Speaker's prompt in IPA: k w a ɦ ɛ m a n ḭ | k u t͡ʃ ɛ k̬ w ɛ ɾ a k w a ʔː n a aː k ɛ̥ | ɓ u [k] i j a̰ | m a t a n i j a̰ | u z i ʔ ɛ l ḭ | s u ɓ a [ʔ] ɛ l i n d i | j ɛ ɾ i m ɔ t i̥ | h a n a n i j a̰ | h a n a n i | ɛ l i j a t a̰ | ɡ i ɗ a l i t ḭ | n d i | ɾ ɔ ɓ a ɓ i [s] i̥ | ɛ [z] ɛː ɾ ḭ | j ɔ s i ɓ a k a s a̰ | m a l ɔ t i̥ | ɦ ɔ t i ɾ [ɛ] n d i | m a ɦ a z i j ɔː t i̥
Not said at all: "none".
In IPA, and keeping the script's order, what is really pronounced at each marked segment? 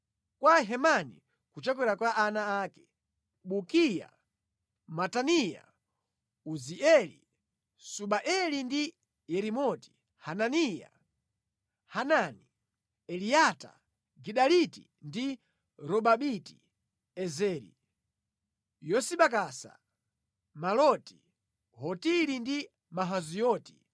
k, ʔ, t, z, i

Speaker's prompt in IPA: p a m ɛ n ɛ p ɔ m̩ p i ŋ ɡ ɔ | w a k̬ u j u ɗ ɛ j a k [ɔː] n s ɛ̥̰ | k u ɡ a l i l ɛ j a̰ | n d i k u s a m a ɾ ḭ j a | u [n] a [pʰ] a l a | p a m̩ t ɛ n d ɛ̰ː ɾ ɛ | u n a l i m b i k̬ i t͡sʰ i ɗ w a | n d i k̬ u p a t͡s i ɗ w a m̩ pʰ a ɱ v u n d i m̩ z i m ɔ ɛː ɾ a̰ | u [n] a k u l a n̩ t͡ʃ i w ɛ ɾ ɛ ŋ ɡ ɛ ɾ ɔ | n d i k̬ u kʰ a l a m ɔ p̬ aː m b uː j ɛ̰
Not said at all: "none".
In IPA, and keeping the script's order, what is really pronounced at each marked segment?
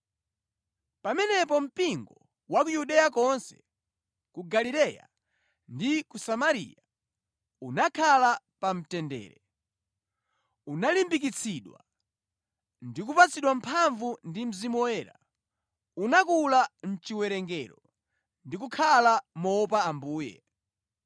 ɔ, n, kʰ, n

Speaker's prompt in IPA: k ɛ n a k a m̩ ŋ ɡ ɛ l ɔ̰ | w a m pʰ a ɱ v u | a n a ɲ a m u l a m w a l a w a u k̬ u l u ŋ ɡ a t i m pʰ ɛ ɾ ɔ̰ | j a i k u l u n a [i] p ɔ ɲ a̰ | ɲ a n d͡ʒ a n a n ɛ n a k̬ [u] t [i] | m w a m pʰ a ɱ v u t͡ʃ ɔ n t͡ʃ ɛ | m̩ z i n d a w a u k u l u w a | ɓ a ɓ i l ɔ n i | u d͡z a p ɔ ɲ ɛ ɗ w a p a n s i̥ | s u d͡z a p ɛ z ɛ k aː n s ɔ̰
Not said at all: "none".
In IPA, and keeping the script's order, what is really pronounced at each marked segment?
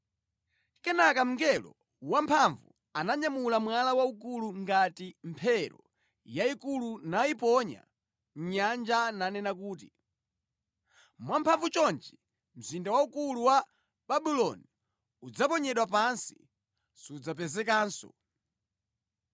i, uː, i

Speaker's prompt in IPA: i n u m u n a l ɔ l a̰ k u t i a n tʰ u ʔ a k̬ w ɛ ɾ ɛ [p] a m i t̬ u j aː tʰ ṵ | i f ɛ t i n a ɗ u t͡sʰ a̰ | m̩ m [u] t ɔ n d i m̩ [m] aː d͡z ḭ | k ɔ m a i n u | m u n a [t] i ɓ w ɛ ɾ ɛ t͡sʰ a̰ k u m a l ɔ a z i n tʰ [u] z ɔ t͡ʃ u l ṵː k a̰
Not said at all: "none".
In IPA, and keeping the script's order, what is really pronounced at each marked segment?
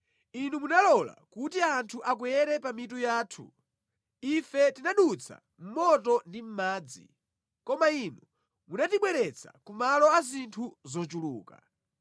p, ɔ, m, t, u

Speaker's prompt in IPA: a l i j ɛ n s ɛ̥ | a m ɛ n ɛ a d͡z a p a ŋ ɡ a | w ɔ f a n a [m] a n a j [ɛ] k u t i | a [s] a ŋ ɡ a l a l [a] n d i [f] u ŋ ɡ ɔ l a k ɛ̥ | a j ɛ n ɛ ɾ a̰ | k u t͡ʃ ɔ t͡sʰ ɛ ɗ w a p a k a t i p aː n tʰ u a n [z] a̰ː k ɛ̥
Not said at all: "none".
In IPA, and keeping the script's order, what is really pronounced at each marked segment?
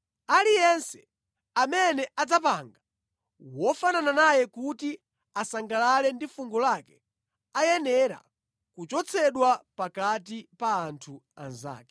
n, ɛ, s, ɛ, f, z

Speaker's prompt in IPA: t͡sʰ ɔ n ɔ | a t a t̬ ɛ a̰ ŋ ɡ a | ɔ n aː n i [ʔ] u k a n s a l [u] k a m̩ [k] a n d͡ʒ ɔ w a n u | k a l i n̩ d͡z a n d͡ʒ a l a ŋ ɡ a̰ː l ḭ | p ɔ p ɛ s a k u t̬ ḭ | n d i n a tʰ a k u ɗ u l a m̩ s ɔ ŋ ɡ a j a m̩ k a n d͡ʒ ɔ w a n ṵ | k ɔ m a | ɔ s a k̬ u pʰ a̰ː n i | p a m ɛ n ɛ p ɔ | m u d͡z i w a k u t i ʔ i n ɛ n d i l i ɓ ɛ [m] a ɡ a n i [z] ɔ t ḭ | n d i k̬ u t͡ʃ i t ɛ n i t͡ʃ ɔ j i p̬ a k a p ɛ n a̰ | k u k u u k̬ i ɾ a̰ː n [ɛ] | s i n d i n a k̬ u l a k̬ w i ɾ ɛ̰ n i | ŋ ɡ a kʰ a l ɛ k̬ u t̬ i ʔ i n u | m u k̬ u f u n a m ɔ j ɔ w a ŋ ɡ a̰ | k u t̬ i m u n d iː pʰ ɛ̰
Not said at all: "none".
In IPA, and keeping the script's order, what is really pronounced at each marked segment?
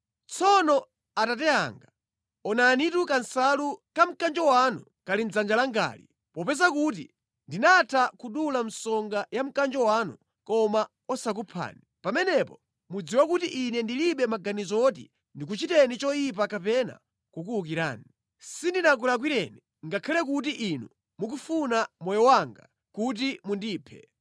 t, u, k, m, z, i

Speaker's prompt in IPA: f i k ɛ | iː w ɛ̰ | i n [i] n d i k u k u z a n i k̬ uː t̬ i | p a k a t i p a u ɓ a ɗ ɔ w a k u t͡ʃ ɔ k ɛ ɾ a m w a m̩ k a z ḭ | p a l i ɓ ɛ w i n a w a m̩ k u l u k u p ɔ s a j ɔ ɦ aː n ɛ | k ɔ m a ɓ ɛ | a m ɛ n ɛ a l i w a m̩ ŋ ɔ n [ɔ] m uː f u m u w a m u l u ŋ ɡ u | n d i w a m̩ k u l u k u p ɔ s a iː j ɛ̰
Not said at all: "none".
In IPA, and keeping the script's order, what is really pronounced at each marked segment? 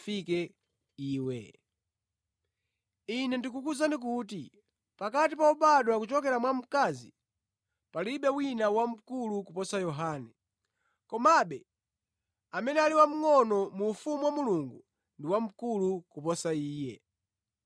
ɛ, ɔ

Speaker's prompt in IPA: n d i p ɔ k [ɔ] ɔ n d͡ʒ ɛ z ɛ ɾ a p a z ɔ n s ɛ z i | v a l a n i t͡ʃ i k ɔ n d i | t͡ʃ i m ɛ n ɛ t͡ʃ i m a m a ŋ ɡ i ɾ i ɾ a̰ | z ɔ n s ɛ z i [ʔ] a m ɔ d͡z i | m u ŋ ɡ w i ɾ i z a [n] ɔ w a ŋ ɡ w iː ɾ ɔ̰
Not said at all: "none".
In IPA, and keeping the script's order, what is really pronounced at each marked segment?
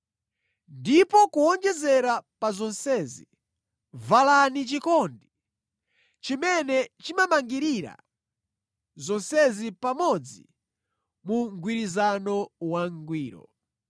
u, p, n

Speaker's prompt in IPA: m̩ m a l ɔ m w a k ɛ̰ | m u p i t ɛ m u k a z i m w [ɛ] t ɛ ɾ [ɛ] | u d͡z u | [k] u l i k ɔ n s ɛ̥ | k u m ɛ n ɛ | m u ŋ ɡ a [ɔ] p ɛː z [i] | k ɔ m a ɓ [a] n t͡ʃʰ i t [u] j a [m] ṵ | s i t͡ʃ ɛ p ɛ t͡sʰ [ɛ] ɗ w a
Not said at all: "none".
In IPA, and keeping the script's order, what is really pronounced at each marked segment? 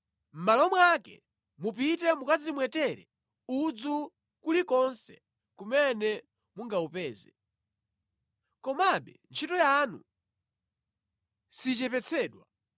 ɛ, ɛ, k, u, ɛ, ɛ, ɔ, n, ɛː

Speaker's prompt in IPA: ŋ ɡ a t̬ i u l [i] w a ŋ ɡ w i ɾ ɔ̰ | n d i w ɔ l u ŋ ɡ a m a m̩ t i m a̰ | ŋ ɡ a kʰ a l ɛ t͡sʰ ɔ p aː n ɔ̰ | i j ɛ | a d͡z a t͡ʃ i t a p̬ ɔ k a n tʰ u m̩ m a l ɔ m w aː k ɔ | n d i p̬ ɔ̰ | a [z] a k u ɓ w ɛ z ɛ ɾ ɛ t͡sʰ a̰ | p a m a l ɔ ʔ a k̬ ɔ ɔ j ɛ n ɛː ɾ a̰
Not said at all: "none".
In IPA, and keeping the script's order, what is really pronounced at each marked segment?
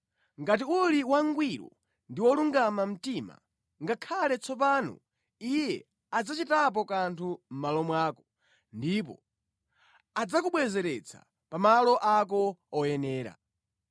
i, d͡z

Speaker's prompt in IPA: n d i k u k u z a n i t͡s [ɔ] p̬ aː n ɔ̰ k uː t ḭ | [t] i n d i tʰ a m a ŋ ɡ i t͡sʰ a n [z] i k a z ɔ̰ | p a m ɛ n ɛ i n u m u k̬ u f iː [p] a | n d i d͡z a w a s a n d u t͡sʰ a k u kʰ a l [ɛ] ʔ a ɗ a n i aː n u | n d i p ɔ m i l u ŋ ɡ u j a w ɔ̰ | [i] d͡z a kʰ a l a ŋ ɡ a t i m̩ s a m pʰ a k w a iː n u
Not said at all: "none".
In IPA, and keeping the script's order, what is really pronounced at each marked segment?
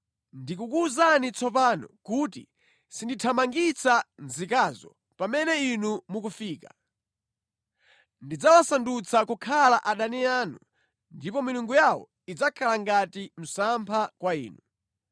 ɔ, s, z, k, a, i

